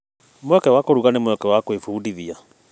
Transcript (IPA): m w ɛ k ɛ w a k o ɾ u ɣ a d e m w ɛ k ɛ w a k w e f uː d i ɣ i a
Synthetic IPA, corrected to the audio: m w ɛ k ɛ w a k o ɾ u ɣ a n e m w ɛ k ɛ w a k w e f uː d i ð i a